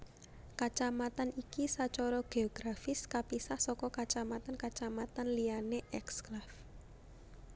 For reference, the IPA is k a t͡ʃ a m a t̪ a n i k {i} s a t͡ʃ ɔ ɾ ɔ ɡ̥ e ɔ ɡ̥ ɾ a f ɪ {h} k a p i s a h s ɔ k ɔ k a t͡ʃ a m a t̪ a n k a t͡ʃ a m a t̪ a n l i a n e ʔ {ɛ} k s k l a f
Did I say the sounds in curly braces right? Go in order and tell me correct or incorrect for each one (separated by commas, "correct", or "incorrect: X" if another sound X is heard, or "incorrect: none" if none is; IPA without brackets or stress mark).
correct, incorrect: s, correct